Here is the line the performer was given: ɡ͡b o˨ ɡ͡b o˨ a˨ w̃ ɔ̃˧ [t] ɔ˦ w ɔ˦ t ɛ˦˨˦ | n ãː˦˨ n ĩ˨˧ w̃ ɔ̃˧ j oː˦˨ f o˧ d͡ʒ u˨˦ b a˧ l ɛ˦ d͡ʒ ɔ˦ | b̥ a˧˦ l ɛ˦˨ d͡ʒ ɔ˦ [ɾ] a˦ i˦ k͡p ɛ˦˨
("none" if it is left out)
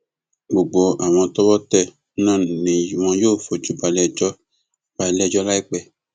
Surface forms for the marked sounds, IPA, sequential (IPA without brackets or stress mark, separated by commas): t, l